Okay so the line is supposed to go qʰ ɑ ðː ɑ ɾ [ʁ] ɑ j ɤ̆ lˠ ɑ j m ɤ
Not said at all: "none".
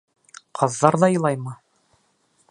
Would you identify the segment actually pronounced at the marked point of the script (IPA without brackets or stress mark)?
ð